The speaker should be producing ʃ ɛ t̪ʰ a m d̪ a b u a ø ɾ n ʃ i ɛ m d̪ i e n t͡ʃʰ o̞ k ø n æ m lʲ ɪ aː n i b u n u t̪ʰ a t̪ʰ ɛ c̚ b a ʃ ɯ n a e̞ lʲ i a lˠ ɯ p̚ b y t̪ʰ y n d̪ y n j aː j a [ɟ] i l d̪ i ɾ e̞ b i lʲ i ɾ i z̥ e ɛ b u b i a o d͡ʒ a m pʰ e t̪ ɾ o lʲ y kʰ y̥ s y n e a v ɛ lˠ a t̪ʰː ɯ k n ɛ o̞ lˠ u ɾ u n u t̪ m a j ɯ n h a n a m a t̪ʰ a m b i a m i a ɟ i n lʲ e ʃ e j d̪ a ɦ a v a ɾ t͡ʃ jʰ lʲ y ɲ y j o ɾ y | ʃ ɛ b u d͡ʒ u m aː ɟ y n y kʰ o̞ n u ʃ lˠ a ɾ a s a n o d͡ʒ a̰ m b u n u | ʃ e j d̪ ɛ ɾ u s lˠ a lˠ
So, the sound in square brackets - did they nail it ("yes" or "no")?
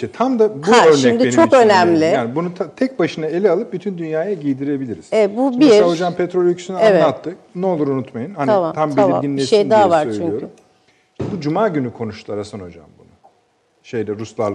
yes